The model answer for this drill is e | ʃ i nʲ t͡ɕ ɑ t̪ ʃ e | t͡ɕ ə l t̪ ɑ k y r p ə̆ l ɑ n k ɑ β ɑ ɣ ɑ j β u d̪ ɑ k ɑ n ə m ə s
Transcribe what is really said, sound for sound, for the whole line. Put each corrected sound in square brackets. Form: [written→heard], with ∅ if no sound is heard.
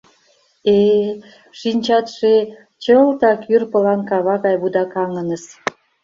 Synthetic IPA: e | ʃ i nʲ t͡ɕ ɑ t̪ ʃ e | t͡ɕ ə l t̪ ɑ k y r p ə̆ l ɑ n k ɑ β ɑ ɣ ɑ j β u d̪ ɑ k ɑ [n→ŋ] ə [m→n] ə s